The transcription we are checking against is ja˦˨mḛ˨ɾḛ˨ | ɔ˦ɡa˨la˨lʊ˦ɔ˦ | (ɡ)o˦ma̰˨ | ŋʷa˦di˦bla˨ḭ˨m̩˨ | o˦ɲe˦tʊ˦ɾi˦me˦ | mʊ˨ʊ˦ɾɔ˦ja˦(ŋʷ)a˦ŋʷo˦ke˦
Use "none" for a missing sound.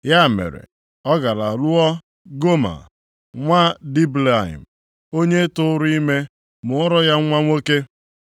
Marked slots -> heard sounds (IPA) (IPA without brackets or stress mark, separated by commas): ɡ, ŋʷ